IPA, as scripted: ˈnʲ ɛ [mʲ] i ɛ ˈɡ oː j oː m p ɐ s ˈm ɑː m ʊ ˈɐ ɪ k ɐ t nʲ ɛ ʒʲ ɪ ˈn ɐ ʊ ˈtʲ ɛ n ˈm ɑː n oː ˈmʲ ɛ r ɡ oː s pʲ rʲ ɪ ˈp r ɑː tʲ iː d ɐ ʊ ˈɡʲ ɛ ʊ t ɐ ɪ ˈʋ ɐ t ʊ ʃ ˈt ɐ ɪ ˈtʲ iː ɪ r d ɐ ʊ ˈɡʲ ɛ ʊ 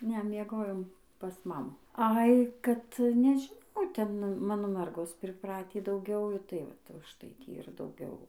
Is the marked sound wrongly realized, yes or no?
no